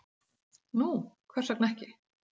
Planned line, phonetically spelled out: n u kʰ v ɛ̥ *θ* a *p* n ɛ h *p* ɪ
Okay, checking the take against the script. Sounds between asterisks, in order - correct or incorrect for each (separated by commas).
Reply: incorrect, incorrect, incorrect